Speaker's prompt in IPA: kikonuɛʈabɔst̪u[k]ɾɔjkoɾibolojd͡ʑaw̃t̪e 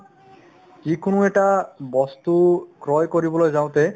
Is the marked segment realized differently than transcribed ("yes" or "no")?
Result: no